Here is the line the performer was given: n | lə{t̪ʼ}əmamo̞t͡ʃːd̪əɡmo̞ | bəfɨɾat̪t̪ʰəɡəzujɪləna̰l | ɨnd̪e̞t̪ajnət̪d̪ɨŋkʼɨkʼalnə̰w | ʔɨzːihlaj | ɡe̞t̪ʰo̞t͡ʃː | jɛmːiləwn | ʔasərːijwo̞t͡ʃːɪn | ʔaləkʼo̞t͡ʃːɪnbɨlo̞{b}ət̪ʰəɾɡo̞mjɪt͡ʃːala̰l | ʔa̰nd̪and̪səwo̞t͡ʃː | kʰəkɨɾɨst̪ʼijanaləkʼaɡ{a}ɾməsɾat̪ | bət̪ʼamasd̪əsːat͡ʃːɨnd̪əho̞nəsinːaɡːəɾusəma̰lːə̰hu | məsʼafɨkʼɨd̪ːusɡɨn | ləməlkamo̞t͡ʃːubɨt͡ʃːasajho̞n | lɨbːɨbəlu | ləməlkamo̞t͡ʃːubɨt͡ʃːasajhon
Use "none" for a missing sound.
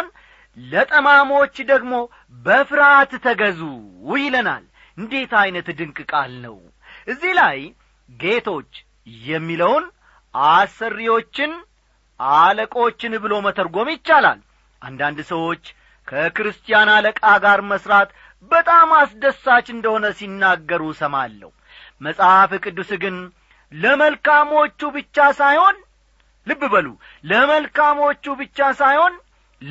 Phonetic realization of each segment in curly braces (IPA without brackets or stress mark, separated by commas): t̪ʼ, m, a